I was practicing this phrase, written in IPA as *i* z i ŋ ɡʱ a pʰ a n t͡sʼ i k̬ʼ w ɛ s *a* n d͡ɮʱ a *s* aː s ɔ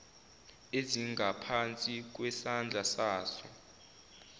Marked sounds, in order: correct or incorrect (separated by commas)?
incorrect, correct, correct